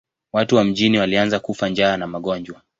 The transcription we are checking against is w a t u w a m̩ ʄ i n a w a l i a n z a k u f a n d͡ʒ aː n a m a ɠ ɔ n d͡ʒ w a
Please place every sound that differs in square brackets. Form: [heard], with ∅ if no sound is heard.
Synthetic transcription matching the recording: w a t u w a m̩ ʄ i n [i] w a l i a n z a k u f a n d͡ʒ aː n a m a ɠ ɔ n d͡ʒ w a